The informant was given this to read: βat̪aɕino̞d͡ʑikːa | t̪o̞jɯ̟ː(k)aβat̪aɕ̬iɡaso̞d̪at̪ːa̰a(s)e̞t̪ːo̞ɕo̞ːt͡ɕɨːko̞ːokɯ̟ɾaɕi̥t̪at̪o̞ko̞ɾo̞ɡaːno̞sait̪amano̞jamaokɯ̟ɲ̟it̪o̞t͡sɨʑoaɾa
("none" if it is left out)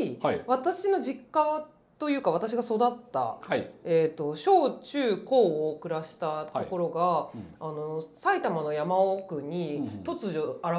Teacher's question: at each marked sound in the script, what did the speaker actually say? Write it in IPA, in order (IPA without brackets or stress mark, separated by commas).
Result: k, none